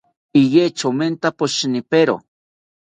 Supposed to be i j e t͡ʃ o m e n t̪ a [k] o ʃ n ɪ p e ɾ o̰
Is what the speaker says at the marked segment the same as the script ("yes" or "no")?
no